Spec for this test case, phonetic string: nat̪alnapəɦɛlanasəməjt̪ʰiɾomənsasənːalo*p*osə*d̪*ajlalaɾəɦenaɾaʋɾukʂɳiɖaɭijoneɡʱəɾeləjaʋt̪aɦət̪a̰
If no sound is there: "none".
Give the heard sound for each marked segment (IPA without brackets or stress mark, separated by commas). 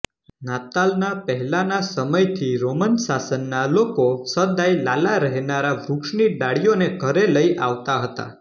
k, d̪